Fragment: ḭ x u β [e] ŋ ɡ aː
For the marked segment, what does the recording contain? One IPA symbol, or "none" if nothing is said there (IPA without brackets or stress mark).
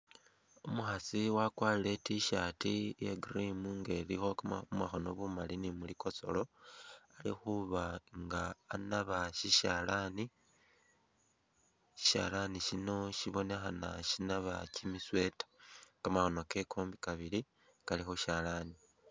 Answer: a